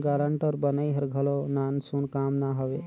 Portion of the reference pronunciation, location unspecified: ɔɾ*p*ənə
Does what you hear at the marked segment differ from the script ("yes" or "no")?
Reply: yes